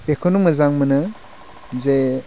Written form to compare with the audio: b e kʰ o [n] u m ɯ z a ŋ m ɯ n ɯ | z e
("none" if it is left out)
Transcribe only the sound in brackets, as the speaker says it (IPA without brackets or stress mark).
n